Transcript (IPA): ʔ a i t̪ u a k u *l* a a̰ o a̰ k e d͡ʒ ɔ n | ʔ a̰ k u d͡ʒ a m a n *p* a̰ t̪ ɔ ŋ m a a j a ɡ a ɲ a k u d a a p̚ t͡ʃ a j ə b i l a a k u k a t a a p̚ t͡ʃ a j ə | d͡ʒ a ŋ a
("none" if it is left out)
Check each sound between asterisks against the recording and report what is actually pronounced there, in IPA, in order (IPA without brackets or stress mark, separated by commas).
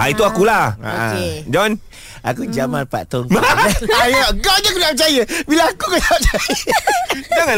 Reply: l, p